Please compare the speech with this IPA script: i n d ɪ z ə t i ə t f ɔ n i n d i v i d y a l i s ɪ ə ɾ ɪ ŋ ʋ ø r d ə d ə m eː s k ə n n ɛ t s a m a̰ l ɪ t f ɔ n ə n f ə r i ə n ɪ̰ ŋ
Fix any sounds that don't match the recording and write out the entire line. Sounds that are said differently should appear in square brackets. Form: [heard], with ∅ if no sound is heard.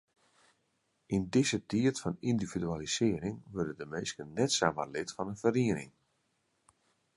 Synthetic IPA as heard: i n d ɪ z ə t i ə t f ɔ n i n d i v i d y a l i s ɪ ə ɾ ɪ ŋ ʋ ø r d ə d ə m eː s k ə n n ɛ t s a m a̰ l ɪ t f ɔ n ə n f ə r i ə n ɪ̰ ŋ